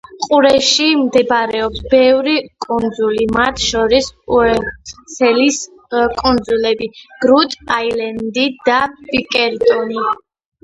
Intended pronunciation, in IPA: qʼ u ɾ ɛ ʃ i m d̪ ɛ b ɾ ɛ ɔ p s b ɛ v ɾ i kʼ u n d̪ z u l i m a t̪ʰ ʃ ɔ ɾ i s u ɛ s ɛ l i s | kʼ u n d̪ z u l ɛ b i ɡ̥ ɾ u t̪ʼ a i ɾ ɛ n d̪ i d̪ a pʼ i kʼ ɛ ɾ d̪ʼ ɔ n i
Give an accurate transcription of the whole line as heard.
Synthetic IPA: qʼ u ɾ ɛ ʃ i m d̪ ɛ b ɾ ɛ ɔ p s b ɛ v ɾ i kʼ u n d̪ z u l i m a t̪ʰ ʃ ɔ ɾ i s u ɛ s ɛ l i s | kʼ u n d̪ z u l ɛ b i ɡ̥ ɾ u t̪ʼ a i l ɛ n d̪ i d̪ a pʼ i kʼ ɛ ɾ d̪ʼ ɔ n i